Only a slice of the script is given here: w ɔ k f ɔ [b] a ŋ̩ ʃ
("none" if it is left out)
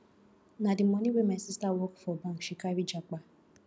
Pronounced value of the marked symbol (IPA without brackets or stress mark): b